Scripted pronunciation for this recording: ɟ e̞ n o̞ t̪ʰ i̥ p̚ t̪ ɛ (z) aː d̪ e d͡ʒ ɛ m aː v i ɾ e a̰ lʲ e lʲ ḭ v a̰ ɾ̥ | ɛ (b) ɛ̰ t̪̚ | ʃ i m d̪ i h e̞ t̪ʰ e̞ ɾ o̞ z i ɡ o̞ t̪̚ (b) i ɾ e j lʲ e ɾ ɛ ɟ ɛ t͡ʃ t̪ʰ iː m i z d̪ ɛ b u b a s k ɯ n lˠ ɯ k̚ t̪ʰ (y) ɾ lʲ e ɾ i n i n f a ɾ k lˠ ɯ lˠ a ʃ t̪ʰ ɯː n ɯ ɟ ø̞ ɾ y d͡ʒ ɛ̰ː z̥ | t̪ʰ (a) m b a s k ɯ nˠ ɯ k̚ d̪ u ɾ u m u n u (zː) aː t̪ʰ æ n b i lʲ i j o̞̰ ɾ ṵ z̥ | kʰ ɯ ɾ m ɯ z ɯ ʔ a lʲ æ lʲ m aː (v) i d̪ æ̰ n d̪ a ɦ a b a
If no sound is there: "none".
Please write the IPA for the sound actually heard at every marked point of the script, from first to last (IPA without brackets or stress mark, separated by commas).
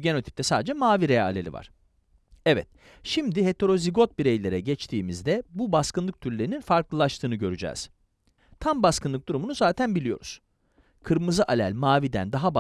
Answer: s, v, b, y, a, z, v